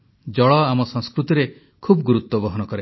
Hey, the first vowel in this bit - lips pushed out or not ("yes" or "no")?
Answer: yes